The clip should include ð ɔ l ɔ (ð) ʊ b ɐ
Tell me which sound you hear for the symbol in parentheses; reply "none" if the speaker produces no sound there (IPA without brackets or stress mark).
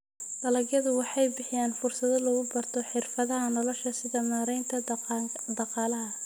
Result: ɣ